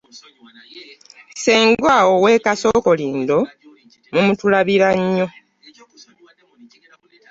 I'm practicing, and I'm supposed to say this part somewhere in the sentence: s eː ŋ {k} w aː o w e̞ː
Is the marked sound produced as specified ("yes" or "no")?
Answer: no